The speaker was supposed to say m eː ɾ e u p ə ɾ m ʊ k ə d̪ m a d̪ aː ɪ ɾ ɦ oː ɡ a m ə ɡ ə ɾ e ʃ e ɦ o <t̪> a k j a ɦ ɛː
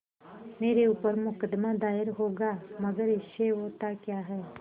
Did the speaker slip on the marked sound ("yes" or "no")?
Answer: no